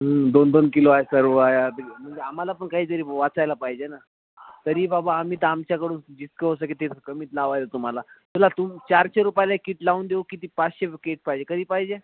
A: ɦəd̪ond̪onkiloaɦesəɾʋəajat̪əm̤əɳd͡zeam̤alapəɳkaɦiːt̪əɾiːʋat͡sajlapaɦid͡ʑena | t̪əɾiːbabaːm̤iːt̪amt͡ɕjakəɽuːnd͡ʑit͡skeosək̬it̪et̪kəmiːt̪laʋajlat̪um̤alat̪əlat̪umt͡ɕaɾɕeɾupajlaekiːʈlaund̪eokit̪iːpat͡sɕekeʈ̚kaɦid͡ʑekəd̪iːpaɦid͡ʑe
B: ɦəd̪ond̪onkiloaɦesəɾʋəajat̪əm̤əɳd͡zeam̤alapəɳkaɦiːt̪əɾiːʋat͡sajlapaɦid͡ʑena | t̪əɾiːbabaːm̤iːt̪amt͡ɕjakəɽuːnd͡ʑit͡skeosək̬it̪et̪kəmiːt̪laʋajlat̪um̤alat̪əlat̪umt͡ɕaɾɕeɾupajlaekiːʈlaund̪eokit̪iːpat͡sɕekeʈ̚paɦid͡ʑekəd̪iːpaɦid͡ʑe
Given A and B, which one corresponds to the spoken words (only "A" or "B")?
B